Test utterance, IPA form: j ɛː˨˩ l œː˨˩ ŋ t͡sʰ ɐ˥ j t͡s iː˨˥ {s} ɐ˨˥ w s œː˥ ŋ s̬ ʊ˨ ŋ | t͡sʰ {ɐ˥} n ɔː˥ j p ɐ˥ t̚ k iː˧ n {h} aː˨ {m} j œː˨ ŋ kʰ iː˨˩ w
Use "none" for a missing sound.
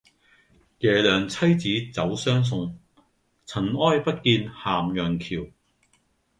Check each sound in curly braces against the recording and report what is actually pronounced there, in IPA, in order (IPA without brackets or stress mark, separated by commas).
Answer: t͡s, ɐ˨˩, h, m